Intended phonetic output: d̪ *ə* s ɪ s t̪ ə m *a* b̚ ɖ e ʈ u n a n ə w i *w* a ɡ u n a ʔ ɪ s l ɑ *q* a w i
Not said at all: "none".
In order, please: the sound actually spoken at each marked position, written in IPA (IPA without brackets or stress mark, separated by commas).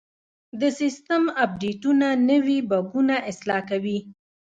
ə, a, b, k